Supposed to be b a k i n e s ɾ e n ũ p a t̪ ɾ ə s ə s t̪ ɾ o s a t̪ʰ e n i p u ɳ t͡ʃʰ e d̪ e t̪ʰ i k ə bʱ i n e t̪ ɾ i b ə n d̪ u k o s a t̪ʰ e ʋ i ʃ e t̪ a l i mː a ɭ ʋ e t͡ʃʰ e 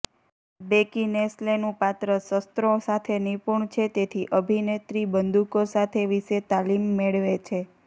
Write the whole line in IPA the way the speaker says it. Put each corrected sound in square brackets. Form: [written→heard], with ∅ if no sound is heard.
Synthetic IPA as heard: b [a→e] k i n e s [ɾ→l] e n ũ p a t̪ ɾ ə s ə s t̪ ɾ o s a t̪ʰ e n i p u ɳ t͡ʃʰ e [d̪→t̪] e t̪ʰ i [k→ʔ] ə bʱ i n e t̪ ɾ i b ə n d̪ u k o s a t̪ʰ e ʋ i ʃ e t̪ a l i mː [a→e] ɭ ʋ e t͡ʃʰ e